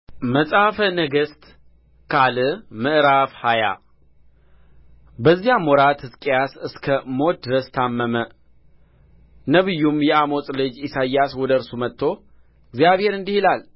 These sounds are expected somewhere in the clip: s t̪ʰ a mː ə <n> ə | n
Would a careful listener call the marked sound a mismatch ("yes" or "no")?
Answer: yes